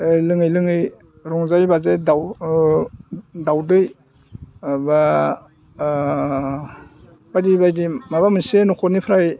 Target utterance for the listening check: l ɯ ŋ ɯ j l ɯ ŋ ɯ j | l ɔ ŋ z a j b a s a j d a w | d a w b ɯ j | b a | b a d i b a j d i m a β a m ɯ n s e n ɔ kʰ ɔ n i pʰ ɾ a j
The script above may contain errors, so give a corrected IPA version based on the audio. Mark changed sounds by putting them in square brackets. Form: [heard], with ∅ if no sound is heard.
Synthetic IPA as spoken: l ɯ ŋ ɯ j l ɯ ŋ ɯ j | [ɾ] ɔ ŋ z a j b a [z] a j d a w | d a w [d] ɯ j | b a | b a d i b a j d i m a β a m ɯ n s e n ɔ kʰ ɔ n i pʰ ɾ a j